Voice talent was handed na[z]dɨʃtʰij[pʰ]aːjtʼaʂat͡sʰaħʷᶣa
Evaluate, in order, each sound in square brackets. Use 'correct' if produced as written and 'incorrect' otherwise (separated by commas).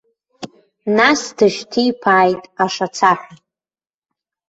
incorrect, correct